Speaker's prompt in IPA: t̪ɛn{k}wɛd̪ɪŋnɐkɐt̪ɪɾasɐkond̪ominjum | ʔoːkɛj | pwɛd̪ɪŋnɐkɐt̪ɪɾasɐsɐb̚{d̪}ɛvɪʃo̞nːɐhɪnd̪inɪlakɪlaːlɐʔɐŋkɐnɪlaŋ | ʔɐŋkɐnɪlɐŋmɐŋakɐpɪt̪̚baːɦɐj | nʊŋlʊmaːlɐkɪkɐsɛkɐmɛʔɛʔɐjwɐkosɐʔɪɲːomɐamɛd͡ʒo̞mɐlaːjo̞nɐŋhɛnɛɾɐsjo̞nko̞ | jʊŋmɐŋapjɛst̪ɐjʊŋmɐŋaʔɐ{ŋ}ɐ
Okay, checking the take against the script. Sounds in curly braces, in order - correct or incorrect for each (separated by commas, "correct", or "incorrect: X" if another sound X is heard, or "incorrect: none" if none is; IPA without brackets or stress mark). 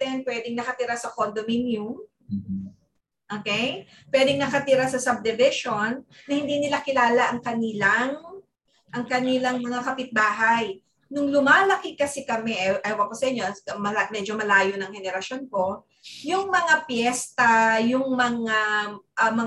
incorrect: p, correct, incorrect: m